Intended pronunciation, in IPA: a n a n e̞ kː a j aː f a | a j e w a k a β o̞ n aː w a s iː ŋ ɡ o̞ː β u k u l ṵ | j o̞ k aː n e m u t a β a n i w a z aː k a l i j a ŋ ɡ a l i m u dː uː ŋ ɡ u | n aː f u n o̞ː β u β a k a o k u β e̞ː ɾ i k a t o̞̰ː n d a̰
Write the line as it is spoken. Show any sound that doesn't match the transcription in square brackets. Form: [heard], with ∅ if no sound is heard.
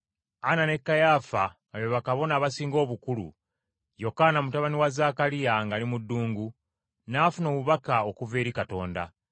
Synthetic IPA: a n a n e̞ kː a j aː f a | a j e [β] a k a β o̞ n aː [β] a s iː ŋ ɡ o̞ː β u k u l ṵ | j o̞ k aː n [a] m u t a β a n i w a z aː k a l i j a ŋ ɡ a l i m u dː uː ŋ ɡ u | n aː f u n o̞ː β u β a k a o k u [v] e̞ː ɾ i k a t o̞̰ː n d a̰